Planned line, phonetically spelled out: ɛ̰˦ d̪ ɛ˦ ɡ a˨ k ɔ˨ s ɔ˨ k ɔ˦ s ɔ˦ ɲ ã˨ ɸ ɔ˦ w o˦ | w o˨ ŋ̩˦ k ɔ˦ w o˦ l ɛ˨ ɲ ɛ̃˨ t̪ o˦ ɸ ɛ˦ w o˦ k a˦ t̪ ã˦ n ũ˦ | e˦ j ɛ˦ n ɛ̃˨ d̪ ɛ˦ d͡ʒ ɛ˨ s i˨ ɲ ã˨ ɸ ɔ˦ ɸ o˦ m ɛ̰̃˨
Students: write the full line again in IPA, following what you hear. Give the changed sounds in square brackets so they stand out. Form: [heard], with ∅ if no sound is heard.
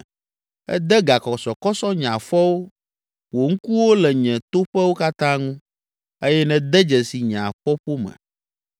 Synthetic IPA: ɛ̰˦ d̪ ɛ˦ ɡ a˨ k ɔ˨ s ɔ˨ k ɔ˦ s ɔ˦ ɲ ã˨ ɸ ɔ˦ w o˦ | w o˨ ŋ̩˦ k [u˦] w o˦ l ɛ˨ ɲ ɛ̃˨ t̪ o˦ ɸ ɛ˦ w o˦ k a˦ t̪ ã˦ [ŋ] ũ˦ | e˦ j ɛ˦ n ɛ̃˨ d̪ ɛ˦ d͡ʒ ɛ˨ s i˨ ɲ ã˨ ɸ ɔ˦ ɸ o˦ m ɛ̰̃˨